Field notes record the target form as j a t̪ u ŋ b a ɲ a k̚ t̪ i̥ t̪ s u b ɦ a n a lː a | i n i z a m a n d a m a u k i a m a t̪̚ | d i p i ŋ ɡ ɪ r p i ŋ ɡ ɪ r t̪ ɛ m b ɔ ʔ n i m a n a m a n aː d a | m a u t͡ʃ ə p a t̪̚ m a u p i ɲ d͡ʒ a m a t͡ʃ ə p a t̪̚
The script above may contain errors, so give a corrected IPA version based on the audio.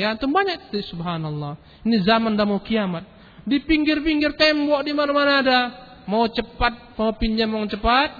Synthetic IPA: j a t̪ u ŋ b a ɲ a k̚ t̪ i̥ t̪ s u b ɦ a n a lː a | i n i z a m a n d a m a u k i a m a t̪̚ | d i p i ŋ ɡ ɪ r p i ŋ ɡ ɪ r t̪ ɛ m b ɔ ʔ d i m a n a m a n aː d a | m a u t͡ʃ ə p a t̪̚ m a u p i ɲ d͡ʒ a m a t͡ʃ ə p a t̪̚